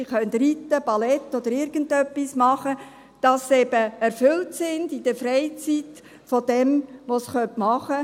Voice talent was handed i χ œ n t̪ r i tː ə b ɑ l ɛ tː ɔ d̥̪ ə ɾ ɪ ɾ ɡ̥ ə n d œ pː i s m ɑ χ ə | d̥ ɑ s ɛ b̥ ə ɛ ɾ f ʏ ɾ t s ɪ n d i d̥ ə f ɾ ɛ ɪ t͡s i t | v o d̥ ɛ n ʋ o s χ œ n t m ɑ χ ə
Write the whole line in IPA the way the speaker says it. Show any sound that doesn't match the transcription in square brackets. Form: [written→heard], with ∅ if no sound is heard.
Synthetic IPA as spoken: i χ œ n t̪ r i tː ə b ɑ l ɛ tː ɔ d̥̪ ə ɾ ɪ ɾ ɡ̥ ə n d œ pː i s m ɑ χ ə | d̥ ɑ s ɛ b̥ ə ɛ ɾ f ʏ [ɾ→l] t s ɪ n d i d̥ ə f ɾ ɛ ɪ t͡s i t | [v→f] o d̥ ɛ [n→m] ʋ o s χ œ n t m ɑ χ ə